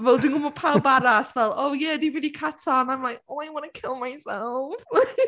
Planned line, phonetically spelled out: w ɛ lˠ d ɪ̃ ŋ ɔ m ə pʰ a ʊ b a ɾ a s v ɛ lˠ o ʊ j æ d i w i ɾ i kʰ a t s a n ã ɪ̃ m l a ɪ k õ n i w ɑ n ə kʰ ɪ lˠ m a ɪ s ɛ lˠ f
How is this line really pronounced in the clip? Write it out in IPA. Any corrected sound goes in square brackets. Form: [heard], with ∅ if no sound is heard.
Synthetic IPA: [v] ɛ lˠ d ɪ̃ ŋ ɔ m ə pʰ a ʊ b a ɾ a s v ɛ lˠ o ʊ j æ d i [v] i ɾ i kʰ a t s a n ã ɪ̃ m l a ɪ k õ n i w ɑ n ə kʰ ɪ lˠ m a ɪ s ɛ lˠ f